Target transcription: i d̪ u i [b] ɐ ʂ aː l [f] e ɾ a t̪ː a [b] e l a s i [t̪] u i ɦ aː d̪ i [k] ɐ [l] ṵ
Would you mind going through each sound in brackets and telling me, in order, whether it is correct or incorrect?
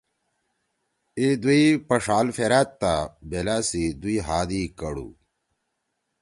incorrect: p, correct, correct, incorrect: d̪, correct, incorrect: ɽ

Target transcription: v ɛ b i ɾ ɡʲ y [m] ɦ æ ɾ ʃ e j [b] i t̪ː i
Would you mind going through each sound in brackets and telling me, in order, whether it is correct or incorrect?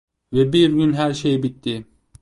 incorrect: n, correct

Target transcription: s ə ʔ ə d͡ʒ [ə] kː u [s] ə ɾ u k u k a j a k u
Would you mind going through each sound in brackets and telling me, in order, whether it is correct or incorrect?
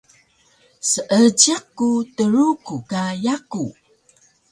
incorrect: a, incorrect: t

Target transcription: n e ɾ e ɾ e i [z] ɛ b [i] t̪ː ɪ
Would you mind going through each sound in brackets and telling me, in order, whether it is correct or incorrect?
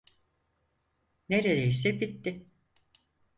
incorrect: s, correct

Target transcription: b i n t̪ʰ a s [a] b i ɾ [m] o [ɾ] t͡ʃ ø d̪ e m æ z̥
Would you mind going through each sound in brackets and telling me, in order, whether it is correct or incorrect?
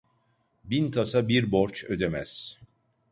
correct, incorrect: b, correct

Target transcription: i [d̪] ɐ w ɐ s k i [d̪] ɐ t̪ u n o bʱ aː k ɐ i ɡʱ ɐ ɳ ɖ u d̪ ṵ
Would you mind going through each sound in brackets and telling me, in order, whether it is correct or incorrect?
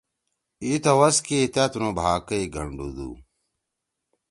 incorrect: t̪, incorrect: t̪

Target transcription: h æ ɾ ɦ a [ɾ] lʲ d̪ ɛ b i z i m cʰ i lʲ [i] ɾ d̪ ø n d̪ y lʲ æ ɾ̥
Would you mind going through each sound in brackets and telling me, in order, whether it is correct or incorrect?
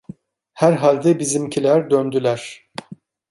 incorrect: none, incorrect: æ

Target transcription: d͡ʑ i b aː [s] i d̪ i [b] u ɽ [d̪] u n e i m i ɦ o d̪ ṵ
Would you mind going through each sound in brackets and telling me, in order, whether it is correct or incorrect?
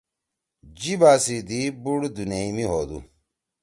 correct, correct, correct

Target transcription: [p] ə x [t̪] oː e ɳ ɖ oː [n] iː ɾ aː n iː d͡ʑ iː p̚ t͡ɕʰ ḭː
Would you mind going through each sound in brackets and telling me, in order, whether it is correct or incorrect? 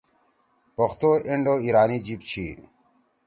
correct, correct, incorrect: none

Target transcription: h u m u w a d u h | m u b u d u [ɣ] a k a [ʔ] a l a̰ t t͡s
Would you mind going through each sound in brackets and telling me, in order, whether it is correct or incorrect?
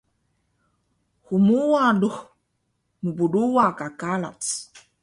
incorrect: w, incorrect: k

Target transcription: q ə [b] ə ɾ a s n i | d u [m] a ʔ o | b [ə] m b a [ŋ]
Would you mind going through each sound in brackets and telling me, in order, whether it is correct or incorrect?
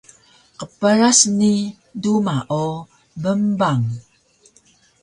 incorrect: p, correct, correct, correct

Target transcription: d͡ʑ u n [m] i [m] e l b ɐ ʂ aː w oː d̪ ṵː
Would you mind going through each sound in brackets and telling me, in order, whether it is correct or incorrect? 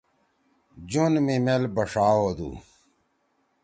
correct, correct

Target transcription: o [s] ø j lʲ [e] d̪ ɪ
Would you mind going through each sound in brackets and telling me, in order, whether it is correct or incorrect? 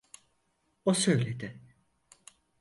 correct, correct

